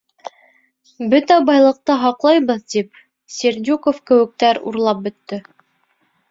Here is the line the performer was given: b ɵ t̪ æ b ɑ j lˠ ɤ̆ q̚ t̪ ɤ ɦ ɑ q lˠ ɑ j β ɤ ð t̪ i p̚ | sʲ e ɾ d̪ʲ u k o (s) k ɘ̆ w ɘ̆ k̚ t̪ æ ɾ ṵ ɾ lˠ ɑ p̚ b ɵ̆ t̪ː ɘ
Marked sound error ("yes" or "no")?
yes